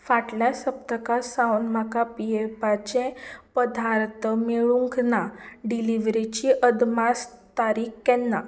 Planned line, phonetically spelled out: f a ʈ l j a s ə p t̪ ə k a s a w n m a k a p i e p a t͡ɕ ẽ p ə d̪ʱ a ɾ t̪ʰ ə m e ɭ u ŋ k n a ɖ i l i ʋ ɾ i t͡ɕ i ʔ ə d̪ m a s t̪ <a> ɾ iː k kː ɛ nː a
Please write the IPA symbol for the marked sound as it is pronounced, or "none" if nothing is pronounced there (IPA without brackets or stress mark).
a